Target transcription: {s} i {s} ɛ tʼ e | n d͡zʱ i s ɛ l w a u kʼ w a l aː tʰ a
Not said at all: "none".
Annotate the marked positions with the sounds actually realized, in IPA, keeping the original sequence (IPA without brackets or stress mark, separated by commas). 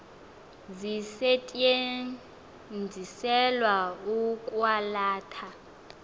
z, s